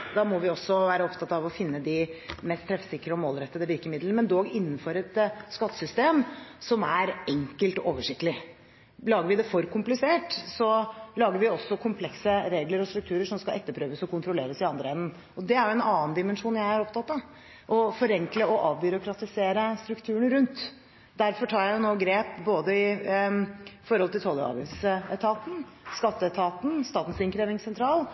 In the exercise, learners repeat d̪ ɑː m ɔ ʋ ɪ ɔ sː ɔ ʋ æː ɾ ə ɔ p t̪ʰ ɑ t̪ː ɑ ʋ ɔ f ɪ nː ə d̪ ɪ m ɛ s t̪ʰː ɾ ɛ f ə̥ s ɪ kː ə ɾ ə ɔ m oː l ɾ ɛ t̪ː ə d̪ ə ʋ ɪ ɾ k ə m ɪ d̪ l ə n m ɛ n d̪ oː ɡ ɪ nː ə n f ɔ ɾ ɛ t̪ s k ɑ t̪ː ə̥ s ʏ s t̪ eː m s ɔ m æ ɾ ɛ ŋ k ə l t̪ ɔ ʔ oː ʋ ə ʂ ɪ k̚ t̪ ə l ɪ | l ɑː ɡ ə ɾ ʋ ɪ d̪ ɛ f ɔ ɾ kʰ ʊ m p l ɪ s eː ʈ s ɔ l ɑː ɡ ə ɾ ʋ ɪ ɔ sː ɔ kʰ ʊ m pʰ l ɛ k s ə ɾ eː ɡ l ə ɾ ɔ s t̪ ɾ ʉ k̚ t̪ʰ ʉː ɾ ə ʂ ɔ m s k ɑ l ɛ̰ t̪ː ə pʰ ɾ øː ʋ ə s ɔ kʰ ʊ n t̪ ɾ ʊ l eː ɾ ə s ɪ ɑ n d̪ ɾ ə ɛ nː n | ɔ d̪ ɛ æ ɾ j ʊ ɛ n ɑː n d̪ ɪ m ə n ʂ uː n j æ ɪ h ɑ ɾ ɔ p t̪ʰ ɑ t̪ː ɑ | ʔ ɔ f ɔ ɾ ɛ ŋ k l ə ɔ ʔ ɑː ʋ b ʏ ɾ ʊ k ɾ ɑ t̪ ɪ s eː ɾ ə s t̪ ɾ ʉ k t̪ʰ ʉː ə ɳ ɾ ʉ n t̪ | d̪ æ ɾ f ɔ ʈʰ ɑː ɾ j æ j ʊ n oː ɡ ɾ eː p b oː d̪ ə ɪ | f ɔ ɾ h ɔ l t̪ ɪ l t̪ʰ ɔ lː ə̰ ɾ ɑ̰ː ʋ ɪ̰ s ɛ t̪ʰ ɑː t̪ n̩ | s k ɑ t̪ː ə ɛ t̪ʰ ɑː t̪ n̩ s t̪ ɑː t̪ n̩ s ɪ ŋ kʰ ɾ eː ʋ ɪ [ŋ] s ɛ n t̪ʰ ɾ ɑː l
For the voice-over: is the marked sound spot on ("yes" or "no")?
yes